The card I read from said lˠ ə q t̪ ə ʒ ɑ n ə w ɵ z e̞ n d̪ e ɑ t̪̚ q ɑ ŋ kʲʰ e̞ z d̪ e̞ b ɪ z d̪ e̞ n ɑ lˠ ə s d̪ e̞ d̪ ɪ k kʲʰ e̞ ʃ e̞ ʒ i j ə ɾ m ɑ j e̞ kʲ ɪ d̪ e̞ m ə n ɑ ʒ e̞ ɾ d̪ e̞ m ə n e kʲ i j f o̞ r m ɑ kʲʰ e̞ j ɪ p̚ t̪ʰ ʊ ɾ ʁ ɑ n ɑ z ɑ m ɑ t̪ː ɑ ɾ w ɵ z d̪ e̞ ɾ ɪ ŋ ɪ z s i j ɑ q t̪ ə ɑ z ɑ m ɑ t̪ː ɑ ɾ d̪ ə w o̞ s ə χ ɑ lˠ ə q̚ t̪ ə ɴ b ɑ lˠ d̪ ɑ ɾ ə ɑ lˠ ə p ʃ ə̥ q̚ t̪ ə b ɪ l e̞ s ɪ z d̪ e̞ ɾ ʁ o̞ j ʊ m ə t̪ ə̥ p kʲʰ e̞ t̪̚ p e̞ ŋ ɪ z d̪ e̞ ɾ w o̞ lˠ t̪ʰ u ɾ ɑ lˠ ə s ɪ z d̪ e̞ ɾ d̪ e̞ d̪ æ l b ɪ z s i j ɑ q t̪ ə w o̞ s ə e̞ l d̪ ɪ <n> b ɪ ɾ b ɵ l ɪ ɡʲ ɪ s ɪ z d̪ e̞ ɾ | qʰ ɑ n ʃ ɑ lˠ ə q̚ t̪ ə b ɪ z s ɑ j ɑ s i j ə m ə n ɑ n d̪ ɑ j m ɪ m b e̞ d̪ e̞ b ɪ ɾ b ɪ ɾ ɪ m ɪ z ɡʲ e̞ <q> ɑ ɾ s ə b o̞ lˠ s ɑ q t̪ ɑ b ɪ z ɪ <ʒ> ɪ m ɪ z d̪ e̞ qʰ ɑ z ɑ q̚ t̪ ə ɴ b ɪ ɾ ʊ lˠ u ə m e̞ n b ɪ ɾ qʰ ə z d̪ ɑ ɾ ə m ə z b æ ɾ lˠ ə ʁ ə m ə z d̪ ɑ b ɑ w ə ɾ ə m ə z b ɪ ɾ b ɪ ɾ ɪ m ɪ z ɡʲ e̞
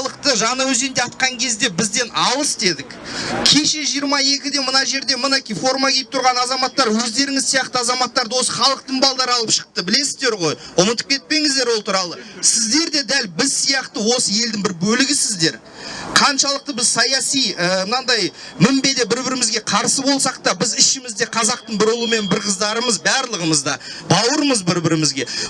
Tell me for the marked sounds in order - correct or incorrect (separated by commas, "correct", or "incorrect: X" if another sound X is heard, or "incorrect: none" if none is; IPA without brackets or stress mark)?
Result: incorrect: ŋ, incorrect: qʰ, incorrect: ʃ